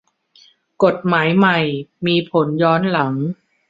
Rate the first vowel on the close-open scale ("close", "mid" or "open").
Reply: mid